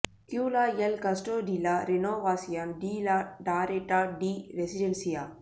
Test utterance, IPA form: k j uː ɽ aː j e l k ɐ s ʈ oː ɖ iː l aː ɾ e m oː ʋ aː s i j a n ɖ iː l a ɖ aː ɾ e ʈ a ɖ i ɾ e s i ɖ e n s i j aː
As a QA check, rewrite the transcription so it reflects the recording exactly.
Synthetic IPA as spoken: k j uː l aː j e l k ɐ s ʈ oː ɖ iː l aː ɾ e n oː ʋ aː s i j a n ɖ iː l a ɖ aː ɾ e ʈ a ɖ i ɾ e s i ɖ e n s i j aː